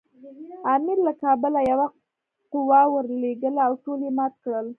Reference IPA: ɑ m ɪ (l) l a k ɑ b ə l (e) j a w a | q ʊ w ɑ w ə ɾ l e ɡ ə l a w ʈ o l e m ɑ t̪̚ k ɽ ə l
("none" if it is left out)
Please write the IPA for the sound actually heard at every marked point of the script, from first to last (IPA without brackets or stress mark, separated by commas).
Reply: ɾ, a